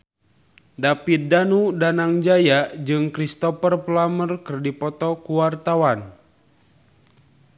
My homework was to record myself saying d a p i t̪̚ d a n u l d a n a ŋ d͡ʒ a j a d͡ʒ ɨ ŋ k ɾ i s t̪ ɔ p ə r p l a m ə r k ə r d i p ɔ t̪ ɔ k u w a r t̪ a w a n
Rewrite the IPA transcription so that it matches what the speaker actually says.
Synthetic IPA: d a p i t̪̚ d a n u d a n a ŋ d͡ʒ a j a d͡ʒ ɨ ŋ k ɾ i s t̪ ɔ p ə r p l a m ə r k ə r d i p ɔ t̪ ɔ k u w a r t̪ a w a n